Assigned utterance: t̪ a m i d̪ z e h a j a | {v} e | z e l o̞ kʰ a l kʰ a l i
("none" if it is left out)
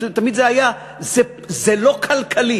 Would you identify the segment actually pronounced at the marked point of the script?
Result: z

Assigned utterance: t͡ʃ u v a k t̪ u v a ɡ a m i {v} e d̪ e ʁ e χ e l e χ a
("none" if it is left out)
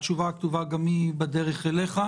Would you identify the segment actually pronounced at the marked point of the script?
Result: b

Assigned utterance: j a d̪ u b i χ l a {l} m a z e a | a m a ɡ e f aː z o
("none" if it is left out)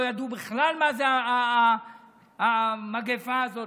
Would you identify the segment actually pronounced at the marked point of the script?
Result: l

